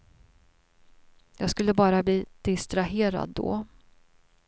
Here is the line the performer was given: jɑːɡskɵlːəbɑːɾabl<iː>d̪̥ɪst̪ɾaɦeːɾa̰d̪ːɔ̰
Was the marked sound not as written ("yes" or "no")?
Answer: no